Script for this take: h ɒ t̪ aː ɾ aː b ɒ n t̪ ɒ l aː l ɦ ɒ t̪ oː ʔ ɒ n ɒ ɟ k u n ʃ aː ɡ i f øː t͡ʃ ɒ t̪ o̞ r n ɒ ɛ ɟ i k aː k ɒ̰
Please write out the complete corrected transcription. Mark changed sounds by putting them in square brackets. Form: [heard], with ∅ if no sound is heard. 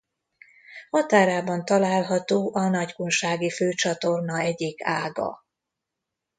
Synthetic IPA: h ɒ t̪ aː ɾ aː b ɒ n t̪ ɒ l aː l ɦ ɒ t̪ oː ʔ ɒ n ɒ ɟ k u n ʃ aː ɡ i f øː t͡ʃ ɒ t̪ o̞ r n ɒ ɛ ɟ i k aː [ɡ] ɒ̰